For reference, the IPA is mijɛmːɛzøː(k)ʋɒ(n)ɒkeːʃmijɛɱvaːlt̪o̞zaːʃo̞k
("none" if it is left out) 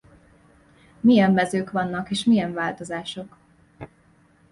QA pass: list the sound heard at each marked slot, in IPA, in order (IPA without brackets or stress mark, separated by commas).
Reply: k, nː